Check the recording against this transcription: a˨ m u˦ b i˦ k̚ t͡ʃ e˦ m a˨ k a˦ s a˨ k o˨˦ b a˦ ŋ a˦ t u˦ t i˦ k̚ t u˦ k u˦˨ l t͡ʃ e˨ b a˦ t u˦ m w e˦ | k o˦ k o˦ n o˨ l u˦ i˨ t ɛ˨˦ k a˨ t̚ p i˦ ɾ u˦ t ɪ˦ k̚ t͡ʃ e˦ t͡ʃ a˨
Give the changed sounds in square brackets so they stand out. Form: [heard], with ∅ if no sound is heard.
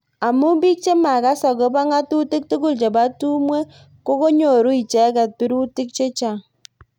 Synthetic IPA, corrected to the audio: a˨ m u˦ b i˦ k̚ t͡ʃ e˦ m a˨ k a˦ s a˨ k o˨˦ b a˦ ŋ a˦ t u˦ t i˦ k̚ t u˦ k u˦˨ l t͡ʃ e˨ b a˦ t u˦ m w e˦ | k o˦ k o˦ [ɲ] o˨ [ɾ] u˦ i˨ [t͡ʃ] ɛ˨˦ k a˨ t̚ p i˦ ɾ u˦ t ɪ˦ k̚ t͡ʃ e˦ t͡ʃ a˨